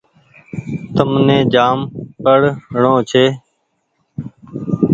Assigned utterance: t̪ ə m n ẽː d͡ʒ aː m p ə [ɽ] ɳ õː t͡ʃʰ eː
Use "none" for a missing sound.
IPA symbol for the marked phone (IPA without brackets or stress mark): ɽ